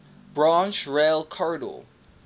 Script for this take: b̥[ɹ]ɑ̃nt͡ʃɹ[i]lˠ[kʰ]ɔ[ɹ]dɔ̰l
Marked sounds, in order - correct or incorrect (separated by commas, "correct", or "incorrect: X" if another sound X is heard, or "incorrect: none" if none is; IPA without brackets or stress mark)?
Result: correct, incorrect: e, correct, correct